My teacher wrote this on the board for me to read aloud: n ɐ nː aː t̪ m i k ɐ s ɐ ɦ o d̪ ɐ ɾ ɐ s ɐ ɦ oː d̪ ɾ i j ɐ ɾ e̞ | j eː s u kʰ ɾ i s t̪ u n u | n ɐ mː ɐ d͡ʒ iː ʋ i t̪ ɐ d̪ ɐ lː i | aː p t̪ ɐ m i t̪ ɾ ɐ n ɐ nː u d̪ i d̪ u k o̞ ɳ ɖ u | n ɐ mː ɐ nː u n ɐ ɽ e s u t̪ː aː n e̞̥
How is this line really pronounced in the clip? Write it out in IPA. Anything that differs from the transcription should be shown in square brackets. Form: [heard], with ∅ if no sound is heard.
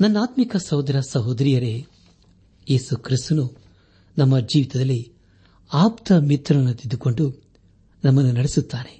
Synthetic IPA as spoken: n ɐ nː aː t̪ m i k ɐ s ɐ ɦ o d̪ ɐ ɾ ɐ s ɐ ɦ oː d̪ ɾ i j ɐ ɾ e̞ | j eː s u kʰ ɾ i s t̪ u n u | n ɐ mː ɐ d͡ʒ iː ʋ i t̪ ɐ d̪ ɐ lː i | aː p t̪ ɐ m i t̪ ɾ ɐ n ɐ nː u [t̪] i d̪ u k o̞ ɳ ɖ u | n ɐ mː ɐ nː u n ɐ ɽ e s u t̪ː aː n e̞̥